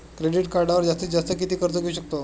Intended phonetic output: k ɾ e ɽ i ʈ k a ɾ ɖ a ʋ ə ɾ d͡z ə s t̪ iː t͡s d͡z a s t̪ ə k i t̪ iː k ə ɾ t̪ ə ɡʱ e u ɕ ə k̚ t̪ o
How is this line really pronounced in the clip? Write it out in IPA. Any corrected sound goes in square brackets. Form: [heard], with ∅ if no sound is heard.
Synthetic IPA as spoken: k ɾ e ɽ i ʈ k a ɾ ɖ a ʋ ə ɾ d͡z [a] s t̪ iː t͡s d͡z a s t̪ ə k i t̪ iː k ə ɾ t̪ ə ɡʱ e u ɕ ə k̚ t̪ o